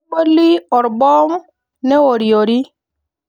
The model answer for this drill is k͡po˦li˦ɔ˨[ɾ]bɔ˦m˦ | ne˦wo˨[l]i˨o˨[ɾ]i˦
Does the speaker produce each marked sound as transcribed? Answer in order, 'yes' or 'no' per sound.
yes, no, yes

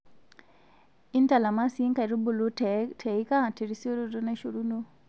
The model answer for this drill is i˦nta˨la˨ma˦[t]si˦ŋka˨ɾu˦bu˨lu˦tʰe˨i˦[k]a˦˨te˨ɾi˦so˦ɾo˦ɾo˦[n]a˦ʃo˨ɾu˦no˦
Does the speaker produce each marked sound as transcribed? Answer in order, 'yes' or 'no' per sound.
no, yes, yes

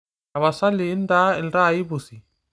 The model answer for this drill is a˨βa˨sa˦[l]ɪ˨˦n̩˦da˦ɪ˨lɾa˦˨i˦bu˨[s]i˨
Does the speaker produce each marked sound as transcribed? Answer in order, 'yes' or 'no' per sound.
yes, yes

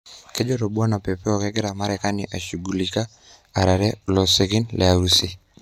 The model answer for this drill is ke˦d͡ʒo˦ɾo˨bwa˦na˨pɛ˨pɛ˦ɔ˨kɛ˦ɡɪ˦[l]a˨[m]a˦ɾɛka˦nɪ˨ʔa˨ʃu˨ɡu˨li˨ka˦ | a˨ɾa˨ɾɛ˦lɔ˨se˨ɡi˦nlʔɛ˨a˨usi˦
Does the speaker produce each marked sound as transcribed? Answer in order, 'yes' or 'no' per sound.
no, yes

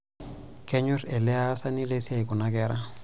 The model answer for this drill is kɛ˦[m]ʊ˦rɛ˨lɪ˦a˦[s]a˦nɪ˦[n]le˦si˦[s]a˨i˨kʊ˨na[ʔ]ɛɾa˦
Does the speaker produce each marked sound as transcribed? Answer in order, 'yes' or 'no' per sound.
no, yes, no, no, no

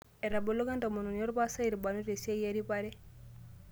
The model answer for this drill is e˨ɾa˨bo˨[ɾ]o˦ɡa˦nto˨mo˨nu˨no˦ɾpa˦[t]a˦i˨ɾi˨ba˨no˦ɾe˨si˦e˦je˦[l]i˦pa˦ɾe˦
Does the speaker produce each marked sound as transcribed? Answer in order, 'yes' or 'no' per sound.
no, no, no

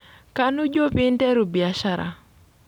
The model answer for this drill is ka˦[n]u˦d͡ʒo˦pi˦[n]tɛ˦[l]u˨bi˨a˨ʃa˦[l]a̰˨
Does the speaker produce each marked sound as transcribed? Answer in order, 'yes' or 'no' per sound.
yes, yes, no, no

